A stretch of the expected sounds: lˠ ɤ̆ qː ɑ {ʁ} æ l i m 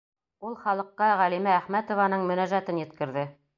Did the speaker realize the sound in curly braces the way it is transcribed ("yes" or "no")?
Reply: yes